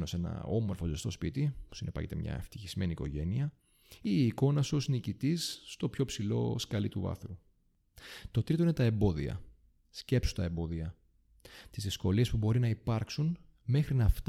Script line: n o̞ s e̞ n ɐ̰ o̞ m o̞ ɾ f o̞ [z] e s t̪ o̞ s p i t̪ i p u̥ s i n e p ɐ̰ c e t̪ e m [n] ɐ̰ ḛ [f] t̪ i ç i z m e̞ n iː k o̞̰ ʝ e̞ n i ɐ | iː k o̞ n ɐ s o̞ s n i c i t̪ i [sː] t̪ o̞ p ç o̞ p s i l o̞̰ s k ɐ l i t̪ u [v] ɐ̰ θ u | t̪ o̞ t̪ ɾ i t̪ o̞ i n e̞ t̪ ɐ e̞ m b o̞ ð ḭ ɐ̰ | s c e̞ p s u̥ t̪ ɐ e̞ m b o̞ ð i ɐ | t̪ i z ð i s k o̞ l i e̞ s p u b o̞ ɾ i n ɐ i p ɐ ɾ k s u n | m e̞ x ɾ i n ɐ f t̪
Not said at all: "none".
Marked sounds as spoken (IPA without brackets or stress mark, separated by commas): z, ɲ, f, sː, v